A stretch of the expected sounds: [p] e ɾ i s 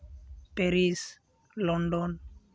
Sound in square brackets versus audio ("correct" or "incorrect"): correct